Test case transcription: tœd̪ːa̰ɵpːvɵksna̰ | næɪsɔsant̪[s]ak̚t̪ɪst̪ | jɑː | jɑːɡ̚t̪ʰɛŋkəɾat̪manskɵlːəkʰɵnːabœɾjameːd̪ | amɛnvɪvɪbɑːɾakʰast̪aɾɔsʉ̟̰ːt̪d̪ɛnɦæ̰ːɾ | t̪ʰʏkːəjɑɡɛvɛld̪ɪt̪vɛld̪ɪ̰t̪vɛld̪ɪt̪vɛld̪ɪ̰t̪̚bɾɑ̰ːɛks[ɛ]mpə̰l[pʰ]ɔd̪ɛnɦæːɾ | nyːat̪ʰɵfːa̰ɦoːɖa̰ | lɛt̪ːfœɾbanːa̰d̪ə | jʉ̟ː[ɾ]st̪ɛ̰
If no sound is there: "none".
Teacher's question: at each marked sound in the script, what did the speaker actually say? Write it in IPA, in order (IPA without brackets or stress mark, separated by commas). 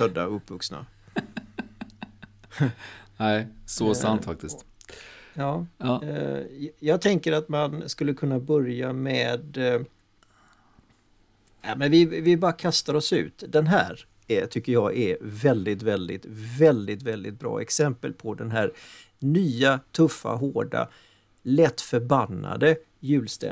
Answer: f, ɛ, pʰ, l